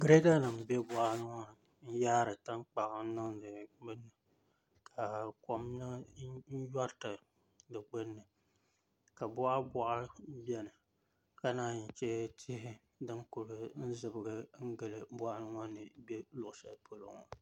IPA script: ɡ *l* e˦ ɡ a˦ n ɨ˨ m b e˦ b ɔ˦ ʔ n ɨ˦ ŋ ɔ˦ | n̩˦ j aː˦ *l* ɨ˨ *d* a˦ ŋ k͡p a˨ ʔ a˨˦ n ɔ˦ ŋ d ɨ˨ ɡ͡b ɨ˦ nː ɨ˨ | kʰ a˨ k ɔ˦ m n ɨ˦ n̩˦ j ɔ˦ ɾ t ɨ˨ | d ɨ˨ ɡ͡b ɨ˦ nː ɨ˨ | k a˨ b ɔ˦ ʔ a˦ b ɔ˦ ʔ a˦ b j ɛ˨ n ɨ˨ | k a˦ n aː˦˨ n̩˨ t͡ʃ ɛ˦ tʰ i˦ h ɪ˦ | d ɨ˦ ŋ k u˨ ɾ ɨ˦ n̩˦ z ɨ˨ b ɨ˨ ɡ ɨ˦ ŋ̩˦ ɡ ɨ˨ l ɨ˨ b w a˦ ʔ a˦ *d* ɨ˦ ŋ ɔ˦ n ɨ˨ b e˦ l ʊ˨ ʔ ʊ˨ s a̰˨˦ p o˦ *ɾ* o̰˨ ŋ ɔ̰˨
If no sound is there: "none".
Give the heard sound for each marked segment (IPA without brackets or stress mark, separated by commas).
ɾ, ɾ, t, n, l